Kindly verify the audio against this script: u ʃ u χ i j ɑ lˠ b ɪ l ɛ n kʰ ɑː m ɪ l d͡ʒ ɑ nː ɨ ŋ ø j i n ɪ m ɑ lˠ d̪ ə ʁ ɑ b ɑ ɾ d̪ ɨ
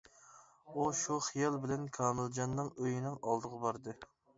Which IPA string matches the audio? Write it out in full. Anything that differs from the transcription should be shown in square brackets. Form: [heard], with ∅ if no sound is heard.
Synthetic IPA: u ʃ u χ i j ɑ lˠ b ɪ l ɛ n kʰ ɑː m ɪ l d͡ʒ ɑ nː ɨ ŋ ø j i n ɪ [ŋ] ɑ lˠ d̪ ə ʁ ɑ b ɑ ɾ d̪ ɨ